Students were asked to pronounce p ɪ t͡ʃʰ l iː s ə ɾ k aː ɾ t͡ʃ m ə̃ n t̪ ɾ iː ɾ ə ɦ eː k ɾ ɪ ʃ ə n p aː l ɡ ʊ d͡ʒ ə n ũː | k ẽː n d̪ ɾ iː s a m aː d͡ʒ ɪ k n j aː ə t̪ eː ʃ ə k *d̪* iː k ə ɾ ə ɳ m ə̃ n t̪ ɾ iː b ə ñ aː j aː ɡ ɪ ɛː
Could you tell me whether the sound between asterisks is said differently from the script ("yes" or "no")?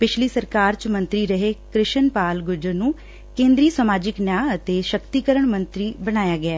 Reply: yes